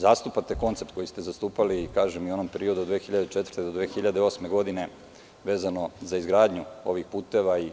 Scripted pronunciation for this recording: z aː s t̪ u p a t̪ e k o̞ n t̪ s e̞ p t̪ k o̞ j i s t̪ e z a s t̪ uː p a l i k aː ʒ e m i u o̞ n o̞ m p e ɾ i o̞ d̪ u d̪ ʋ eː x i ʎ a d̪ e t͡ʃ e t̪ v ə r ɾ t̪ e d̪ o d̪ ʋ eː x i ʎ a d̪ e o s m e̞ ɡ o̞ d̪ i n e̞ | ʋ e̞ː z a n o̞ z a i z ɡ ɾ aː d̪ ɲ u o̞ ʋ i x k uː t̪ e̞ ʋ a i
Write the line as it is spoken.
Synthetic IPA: z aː s t̪ u p a t̪ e k o̞ n t̪ s e̞ p t̪ k o̞ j i s t̪ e z a s t̪ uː p a l i k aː ʒ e m i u o̞ n o̞ m p e ɾ i o̞ d̪ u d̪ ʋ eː x i ʎ a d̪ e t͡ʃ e t̪ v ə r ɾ t̪ e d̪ o d̪ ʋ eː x i ʎ a d̪ e o s m e̞ ɡ o̞ d̪ i n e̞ | ʋ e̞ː z a n o̞ z a i z ɡ ɾ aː d̪ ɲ u o̞ ʋ i x p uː t̪ e̞ ʋ a i